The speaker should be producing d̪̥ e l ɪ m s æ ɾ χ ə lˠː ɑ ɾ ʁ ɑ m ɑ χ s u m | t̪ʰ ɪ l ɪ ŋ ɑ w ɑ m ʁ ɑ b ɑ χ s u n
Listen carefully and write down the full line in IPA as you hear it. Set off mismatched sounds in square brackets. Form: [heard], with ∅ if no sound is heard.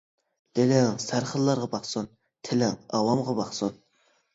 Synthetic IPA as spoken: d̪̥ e l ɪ [ŋ] s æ ɾ χ ə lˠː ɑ ɾ ʁ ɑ [b] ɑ χ s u [n] | t̪ʰ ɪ l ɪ ŋ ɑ w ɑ m ʁ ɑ b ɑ χ s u n